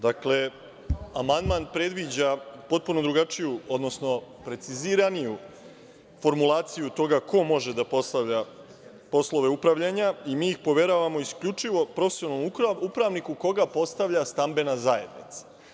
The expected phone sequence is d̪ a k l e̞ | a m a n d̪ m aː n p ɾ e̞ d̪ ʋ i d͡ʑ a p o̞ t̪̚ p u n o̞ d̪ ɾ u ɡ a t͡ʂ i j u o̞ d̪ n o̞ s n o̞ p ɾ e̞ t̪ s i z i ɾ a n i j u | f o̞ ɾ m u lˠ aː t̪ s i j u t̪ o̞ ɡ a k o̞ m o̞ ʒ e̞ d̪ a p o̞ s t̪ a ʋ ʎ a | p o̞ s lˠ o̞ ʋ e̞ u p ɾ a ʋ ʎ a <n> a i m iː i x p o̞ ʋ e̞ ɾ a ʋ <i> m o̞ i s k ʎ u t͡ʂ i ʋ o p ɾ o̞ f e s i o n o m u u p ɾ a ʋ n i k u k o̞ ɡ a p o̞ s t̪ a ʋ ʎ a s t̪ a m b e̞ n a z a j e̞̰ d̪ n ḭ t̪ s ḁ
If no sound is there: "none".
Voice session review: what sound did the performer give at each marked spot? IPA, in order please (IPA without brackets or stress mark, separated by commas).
ɲ, a